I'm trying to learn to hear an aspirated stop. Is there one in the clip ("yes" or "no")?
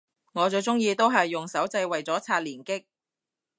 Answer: yes